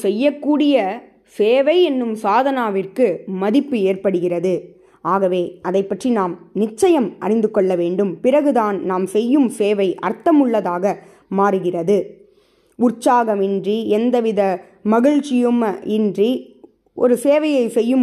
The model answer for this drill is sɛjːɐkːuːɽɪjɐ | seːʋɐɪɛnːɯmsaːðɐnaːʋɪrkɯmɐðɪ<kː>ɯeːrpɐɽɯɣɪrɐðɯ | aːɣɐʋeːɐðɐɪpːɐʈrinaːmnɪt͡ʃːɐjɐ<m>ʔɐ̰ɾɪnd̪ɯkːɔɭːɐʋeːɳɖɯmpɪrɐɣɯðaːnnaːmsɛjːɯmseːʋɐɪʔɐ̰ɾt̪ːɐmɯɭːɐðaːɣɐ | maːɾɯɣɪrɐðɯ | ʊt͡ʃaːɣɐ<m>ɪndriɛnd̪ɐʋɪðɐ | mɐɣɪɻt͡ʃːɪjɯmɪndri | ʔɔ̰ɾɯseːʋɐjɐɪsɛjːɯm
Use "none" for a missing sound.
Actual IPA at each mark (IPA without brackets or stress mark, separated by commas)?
pː, m, m